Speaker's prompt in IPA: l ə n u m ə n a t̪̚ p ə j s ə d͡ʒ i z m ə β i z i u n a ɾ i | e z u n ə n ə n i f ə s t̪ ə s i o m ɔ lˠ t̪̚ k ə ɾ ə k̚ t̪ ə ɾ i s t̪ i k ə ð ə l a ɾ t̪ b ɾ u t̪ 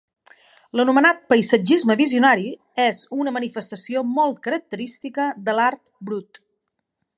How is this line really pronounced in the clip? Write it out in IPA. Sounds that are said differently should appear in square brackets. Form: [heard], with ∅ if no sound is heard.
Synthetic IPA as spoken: l ə n u m ə n a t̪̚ p ə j s ə d͡ʒ i z m ə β i z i u n a ɾ i | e z u n ə [m] ə n i f ə s t̪ ə s i o m ɔ lˠ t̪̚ k ə ɾ ə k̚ t̪ ə ɾ i s t̪ i k ə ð ə l a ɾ t̪ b ɾ u t̪

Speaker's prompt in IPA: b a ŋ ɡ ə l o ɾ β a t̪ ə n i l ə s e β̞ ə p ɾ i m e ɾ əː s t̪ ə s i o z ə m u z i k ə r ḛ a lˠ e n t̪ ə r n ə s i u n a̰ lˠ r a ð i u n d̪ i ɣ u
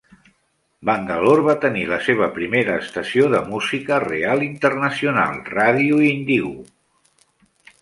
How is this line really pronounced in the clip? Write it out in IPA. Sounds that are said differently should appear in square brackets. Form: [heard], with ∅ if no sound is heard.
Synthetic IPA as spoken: b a ŋ ɡ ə l o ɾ β a t̪ ə n i l ə s e β̞ ə p ɾ i m e ɾ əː s t̪ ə s i o [ð] ə m u z i k ə r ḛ a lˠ [i] n t̪ ə r n ə s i u n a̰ lˠ r a ð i u n d̪ i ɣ u

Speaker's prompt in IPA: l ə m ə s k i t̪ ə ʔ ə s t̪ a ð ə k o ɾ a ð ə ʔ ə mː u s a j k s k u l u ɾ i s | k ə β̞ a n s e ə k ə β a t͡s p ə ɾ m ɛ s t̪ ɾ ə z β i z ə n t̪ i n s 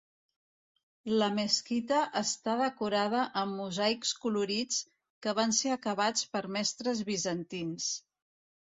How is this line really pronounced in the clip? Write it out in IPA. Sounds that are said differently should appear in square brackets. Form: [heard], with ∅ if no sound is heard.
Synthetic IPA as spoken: l ə m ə s k i t̪ ə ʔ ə s t̪ a ð ə k [u] ɾ a ð ə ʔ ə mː u [z] a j k s k u l u ɾ i [t͡s] | k ə β̞ a n s e ə k ə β a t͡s p ə ɾ m ɛ s t̪ ɾ ə z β i z ə n t̪ i n s

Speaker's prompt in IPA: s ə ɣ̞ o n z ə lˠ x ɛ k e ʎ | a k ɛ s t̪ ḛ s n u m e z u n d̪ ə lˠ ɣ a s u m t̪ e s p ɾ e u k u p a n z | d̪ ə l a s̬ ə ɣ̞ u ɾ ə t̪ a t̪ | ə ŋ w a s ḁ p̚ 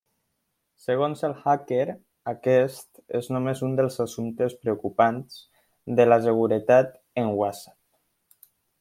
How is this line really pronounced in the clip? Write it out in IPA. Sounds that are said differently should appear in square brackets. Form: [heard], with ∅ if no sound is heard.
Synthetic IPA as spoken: s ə ɣ̞ o n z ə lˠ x [a] k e [ɾ] | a k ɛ s t̪ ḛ [z] n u m e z u n d̪ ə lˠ [z] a s u m t̪ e s p ɾ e u k u p a n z | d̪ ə l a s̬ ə ɣ̞ u ɾ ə t̪ a t̪ | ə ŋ w a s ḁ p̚

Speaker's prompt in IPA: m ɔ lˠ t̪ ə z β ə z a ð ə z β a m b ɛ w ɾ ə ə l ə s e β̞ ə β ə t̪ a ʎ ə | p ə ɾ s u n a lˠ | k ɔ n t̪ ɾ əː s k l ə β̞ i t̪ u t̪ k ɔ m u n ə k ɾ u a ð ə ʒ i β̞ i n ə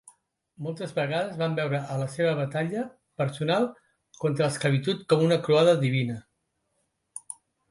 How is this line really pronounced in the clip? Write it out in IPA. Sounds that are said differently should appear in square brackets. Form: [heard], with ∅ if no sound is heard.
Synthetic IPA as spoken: m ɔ lˠ t̪ ə z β ə [ɣ] a ð ə z β a m b ɛ w ɾ ə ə l ə s e β̞ ə β ə t̪ a ʎ ə | p ə ɾ s u n a lˠ | k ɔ n t̪ ɾ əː s k l ə β̞ i t̪ u t̪ k ɔ m u n ə k ɾ u a ð ə [ð] i β̞ i n ə

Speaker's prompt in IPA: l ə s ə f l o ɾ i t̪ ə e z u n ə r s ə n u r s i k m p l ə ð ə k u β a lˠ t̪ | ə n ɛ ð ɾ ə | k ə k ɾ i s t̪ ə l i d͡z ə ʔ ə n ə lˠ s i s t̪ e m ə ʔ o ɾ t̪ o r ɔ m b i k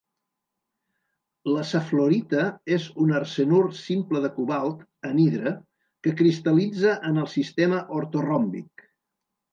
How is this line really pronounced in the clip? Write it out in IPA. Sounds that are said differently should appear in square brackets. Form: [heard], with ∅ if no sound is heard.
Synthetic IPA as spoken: l ə s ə f l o ɾ i t̪ ə e z u n ə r s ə n u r s i [∅] m p l ə ð ə k u β a lˠ t̪ | ə n [i] ð ɾ ə | k ə k ɾ i s t̪ ə l i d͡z ə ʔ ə n ə lˠ s i s t̪ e m ə ʔ o ɾ t̪ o r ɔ m b i k

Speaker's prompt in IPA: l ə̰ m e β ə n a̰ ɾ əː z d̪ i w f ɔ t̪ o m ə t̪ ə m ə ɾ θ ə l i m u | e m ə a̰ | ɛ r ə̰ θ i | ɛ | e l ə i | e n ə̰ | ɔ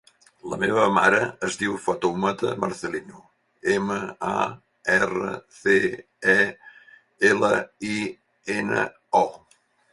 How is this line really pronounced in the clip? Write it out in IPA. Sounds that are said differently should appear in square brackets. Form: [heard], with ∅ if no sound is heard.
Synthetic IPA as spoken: l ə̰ m e β ə [m] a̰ ɾ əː z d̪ i w f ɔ t̪ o m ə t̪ ə m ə ɾ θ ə l i [n] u | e m ə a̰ | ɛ r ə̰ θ [e] | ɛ | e l ə i | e n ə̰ | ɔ

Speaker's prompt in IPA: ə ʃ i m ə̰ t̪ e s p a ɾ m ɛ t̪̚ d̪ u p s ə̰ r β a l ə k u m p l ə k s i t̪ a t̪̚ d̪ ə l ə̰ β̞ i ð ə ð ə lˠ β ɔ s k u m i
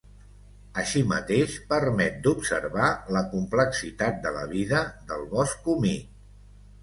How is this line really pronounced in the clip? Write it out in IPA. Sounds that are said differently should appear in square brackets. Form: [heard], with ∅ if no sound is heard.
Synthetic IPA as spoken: ə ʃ i m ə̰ t̪ e [ʃ] p [ə] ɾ m ɛ t̪̚ d̪ u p s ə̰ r β a l ə k u m p l ə k s i t̪ a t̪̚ d̪ ə l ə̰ β̞ i ð ə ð ə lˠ β ɔ s k u m i

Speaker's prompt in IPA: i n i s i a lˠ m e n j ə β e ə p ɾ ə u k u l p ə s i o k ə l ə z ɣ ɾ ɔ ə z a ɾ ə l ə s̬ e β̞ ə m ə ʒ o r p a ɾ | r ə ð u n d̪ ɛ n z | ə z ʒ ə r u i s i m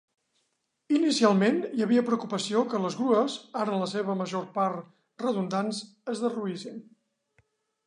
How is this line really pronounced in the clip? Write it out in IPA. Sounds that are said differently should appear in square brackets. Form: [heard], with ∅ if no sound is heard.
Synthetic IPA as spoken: i n i s i a lˠ m e n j ə β [i] ə p ɾ ə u k u [∅] p ə s i o k ə l ə z ɣ ɾ [u] ə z a ɾ ə l ə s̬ e β̞ ə m ə ʒ o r p a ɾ | r ə ð u n d̪ [a] n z | ə z [ð] ə r u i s i [n]

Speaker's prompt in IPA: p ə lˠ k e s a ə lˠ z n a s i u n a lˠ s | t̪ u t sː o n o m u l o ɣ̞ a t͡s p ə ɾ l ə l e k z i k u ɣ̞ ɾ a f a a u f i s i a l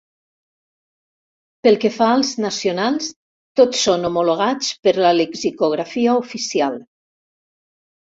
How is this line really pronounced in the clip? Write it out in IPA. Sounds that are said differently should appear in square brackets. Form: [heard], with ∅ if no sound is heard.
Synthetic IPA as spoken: p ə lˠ k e [f] a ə lˠ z n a s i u n a lˠ s | t̪ [o] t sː o n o m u l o ɣ̞ a t͡s p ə ɾ l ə l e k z i k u ɣ̞ ɾ a f [i] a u f i s i a l

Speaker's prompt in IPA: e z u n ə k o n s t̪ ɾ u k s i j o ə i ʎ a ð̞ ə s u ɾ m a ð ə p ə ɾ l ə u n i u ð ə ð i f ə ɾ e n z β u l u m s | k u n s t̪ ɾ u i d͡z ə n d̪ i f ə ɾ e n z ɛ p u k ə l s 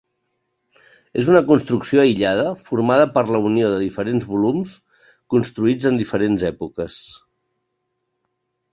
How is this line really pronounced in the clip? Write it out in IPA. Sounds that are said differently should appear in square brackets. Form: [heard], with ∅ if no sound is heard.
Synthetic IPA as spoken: e z u n ə k [u] n s t̪ ɾ u k s i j o ə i ʎ a ð̞ ə [f] u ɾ m a ð ə p ə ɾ l ə u n i [o] ð ə ð i f ə ɾ e n z β u l u m s | k u n s t̪ ɾ u i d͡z ə n d̪ i f ə ɾ e n z ɛ p u k ə [∅] s

